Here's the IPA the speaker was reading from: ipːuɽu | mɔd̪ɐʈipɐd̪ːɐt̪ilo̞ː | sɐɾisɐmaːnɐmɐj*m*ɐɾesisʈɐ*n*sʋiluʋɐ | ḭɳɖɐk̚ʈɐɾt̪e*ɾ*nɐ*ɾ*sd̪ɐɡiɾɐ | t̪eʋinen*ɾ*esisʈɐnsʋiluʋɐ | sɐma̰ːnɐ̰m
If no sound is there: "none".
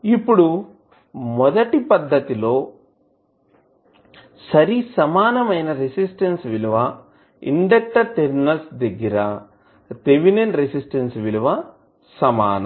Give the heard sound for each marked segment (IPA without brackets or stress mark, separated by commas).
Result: n, n, ɾ, l, ɾ